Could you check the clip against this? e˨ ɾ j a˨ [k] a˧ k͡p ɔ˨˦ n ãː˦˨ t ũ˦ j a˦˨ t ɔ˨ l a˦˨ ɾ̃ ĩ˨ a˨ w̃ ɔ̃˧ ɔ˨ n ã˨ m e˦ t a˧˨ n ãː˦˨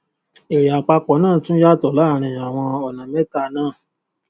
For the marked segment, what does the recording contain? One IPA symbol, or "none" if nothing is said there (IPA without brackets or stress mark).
k͡p